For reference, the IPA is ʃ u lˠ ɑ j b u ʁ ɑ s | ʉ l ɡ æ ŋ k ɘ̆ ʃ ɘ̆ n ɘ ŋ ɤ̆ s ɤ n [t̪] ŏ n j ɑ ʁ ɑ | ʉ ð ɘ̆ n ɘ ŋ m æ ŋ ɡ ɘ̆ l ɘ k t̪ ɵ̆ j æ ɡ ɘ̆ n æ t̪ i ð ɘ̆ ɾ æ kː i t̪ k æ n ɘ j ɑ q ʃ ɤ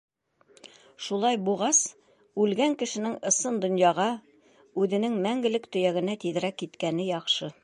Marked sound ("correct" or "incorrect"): incorrect